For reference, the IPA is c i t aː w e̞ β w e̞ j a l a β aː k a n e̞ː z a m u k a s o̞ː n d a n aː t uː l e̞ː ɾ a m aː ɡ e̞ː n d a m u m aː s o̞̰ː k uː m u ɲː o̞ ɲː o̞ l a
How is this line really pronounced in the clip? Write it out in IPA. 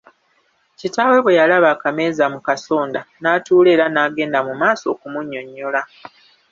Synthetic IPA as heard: c i t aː w e̞ β w e̞ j a l a β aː k a m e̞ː z a m u k a s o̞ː n d a n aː t uː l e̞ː ɾ a n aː ɡ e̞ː n d a m u m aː s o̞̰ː k u m u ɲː o̞ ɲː o̞ l a